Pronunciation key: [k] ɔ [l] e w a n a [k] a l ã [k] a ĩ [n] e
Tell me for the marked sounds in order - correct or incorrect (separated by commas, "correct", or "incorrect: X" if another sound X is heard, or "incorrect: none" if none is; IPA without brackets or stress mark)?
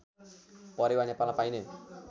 incorrect: p, incorrect: ɾ, incorrect: p, incorrect: p, correct